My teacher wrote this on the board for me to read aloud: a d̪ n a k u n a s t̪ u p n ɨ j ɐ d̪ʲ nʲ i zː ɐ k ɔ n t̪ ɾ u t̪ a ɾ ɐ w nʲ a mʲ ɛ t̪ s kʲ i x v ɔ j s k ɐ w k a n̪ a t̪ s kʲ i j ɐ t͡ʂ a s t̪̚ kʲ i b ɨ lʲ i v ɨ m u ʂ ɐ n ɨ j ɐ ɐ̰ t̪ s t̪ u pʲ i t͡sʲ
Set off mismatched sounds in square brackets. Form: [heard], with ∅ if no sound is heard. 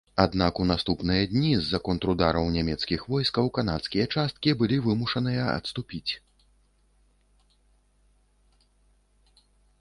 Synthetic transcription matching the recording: a d̪ n a k u n a s t̪ u p n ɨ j ɐ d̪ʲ nʲ i zː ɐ k ɔ n t̪ ɾ u [d̪] a ɾ ɐ w nʲ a mʲ ɛ t̪ s kʲ i x v ɔ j s k ɐ w k a n̪ a t̪ s kʲ i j ɐ t͡ʂ a s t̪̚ kʲ i b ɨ lʲ i v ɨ m u ʂ ɐ n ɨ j ɐ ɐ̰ t̪ s t̪ u pʲ i t͡sʲ